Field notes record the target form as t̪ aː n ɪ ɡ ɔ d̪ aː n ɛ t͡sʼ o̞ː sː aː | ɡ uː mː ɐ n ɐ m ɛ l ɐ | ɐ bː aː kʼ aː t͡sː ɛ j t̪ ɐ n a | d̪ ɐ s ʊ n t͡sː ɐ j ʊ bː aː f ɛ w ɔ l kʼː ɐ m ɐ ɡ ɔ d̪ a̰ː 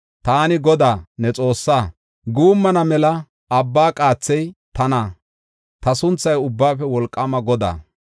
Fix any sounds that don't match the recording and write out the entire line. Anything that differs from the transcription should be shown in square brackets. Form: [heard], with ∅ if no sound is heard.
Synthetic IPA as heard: t̪ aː n ɪ ɡ ɔ d̪ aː n ɛ t͡sʼ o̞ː sː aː | ɡ uː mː ɐ n ɐ m ɛ l ɐ | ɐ bː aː kʼ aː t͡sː ɛ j t̪ ɐ n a | [t̪] ɐ s ʊ n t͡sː ɐ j ʊ bː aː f ɛ w ɔ l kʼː ɐ m ɐ ɡ ɔ d̪ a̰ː